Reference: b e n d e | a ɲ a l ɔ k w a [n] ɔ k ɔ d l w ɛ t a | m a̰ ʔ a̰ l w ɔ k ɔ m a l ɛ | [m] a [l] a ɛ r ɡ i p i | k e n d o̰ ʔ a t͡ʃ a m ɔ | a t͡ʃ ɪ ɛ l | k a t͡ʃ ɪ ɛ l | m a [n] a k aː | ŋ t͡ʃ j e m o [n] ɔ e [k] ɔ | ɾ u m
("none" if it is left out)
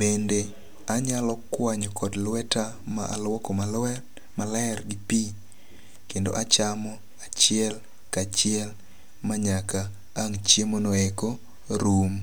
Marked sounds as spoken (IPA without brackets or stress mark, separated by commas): ɲ, m, l, ɲ, n, k